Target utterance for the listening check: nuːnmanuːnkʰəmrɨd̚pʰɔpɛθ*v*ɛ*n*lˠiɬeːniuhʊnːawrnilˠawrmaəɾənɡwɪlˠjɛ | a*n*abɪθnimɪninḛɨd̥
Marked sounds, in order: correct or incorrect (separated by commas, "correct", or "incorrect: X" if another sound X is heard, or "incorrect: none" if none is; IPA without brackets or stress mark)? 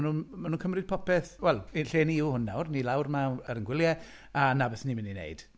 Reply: incorrect: w, incorrect: none, correct